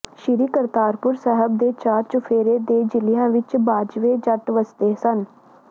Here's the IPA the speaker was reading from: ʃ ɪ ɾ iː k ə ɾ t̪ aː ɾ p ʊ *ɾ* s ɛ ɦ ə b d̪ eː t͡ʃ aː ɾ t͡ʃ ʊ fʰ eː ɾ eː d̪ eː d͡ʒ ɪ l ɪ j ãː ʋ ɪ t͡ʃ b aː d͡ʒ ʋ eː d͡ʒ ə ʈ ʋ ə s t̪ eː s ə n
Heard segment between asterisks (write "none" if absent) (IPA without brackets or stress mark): ɾ